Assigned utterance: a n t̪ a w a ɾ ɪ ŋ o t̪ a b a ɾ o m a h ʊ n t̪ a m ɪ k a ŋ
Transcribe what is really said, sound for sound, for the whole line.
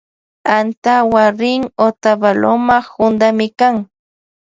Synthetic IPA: a n t̪ a w a ɾ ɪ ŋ o t̪ a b a l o m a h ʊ n d̪ a m ɪ k a ŋ